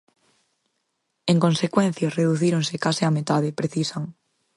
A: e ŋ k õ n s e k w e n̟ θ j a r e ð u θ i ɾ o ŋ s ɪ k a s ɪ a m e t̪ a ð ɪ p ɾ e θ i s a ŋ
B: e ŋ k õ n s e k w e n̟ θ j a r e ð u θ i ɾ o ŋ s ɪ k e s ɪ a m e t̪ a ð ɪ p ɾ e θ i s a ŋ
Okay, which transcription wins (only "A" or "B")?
A